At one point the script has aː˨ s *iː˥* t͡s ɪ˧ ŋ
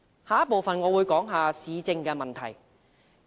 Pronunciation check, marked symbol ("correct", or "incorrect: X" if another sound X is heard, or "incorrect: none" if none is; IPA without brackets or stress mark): incorrect: iː˨˧